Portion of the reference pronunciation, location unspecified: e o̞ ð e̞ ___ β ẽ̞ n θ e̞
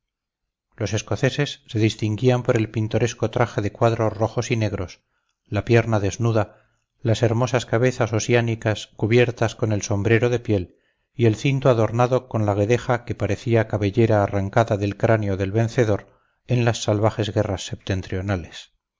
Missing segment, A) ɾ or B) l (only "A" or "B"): B